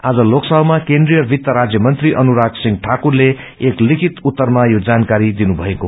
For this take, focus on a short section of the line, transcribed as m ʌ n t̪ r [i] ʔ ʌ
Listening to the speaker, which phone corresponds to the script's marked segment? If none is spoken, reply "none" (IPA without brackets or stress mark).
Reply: i